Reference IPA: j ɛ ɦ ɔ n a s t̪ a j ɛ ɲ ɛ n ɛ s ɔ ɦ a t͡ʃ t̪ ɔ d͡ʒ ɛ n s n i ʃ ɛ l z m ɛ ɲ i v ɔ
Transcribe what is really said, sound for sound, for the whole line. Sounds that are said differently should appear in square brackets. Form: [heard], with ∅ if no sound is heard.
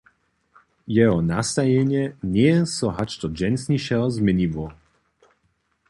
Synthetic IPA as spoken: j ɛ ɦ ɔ n a s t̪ a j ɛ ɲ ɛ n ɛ s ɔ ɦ a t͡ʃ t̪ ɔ d͡ʒ ɛ n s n i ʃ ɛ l z m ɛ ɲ i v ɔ